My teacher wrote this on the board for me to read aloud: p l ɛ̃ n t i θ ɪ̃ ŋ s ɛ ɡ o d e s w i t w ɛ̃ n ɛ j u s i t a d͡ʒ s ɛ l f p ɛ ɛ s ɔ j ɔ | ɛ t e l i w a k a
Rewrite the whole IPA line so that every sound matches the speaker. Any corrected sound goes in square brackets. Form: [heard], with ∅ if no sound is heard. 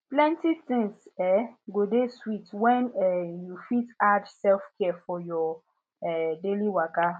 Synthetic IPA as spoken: p l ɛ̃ n t i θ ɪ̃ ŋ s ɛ ɡ o d e s w i t w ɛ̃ n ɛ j u [f] i t a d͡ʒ s ɛ l f [k] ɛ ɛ [f] ɔ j ɔ | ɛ [d] e l i w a k a